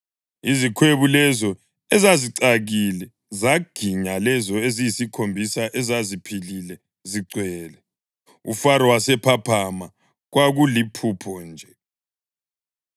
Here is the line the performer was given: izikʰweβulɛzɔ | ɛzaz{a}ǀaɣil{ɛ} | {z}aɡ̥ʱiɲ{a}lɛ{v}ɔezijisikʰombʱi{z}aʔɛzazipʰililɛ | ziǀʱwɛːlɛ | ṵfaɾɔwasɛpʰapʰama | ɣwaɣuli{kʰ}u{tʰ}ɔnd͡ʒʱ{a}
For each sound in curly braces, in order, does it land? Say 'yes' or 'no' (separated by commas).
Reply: no, yes, yes, yes, no, no, no, no, no